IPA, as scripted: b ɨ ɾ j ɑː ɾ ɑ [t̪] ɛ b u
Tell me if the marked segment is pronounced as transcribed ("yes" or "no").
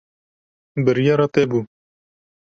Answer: yes